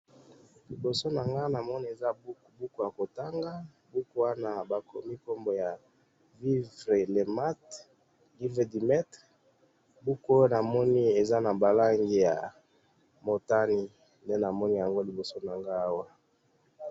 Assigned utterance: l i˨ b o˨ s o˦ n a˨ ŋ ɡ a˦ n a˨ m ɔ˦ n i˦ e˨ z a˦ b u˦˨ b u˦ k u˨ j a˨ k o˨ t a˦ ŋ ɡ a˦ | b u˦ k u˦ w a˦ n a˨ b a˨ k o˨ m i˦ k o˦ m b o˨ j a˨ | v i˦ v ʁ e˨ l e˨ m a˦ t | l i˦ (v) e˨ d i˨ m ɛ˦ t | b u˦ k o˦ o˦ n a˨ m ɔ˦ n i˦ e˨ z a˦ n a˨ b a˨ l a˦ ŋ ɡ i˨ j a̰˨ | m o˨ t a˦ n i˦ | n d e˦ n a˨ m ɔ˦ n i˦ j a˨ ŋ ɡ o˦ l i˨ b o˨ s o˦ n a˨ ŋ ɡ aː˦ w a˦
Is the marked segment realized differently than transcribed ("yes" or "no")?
no